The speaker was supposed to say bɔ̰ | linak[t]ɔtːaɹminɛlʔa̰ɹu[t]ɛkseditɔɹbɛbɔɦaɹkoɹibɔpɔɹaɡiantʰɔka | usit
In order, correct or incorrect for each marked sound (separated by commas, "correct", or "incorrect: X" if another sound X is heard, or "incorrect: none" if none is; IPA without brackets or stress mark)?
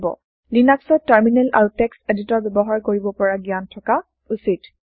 incorrect: s, correct